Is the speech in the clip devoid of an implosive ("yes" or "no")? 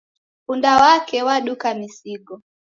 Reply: no